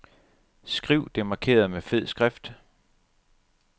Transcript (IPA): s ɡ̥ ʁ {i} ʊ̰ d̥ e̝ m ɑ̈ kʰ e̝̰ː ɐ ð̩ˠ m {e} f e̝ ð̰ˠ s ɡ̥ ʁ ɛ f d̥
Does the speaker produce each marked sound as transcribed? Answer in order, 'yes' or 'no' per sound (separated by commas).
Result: yes, yes